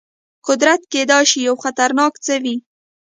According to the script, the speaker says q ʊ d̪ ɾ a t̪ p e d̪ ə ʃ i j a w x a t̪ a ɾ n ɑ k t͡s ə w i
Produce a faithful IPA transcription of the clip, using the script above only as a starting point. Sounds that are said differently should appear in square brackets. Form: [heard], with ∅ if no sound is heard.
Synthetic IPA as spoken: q ʊ d̪ ɾ a t̪ [k] e d̪ [ɑ] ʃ i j a w x a t̪ a ɾ n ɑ k t͡s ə w i